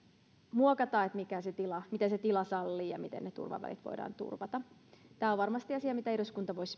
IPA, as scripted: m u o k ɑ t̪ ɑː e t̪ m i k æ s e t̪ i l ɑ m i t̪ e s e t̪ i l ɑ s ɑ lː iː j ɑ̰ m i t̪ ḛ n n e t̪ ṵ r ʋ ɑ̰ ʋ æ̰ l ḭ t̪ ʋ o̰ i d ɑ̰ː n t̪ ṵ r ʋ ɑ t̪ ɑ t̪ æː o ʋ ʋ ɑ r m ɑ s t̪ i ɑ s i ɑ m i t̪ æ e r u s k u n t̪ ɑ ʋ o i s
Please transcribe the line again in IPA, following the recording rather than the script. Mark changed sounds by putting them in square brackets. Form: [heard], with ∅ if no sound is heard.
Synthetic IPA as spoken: m u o k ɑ t̪ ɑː e t̪ m i k æ s e t̪ i l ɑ m i t̪ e s e t̪ i l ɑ s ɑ lː iː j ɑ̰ m i t̪ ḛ n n e t̪ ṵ r ʋ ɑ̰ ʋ æ̰ l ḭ t̪ ʋ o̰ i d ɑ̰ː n t̪ ṵ r ʋ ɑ t̪ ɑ t̪ æː o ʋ ʋ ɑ r m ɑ s t̪ i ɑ s i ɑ m i t̪ æ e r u s k u n t̪ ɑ ʋ o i s